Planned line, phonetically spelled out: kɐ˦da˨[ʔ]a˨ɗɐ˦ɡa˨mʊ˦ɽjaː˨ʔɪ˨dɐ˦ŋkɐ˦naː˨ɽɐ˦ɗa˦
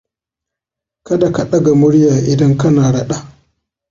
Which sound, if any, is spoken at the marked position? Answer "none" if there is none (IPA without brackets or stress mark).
k